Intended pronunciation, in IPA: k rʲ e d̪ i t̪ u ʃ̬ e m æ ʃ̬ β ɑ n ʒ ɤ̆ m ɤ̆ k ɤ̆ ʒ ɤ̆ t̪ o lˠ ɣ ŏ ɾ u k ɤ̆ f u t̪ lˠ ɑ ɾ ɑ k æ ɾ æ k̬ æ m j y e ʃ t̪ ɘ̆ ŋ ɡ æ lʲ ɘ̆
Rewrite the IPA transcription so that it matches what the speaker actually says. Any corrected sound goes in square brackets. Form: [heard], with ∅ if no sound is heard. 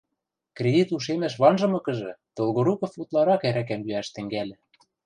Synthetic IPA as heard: k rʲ e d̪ i t̪ u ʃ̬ e m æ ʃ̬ β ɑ n ʒ ɤ̆ m ɤ̆ k ɤ̆ ʒ ɤ̆ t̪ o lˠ ɣ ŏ ɾ u k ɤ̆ f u t̪ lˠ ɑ ɾ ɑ k æ ɾ æ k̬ æ m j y [æ] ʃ t̪ ɘ̆ ŋ ɡ æ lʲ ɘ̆